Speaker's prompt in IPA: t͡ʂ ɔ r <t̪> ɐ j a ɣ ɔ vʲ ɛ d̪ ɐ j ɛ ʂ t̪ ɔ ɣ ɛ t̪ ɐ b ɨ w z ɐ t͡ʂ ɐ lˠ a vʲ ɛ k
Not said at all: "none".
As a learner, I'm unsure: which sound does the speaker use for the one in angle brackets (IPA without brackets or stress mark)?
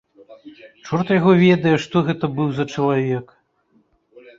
t̪